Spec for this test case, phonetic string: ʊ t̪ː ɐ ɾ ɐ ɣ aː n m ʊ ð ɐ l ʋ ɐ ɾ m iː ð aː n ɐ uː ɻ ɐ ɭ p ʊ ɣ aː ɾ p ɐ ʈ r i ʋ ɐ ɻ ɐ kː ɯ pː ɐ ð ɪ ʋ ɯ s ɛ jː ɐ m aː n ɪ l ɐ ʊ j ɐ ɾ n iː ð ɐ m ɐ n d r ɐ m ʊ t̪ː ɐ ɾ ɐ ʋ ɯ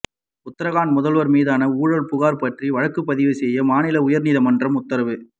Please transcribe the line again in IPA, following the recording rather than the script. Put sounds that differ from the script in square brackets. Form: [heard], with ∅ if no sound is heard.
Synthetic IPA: ʊ t̪ː ɐ ɾ ɐ ɣ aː n m ʊ ð ɐ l ʋ ɐ ɾ m iː ð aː n ɐ uː ɻ ɐ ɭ p ʊ ɣ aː ɾ p ɐ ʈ r i ʋ ɐ ɻ ɐ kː ɯ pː ɐ ð ɪ ʋ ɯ s ɛ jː ɐ m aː n ɪ l ɐ ʊ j ɐ ɾ n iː ð ɐ m ɐ n d r ɐ m ʊ t̪ː ɐ ɾ ɐ ʋ ɯ